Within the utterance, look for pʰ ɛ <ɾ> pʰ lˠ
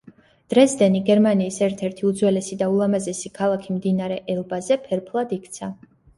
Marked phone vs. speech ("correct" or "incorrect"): correct